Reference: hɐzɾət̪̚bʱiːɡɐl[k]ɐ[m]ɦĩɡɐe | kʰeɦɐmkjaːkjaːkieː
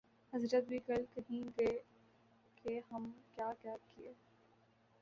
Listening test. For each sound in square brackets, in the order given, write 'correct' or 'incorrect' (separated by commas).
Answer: correct, incorrect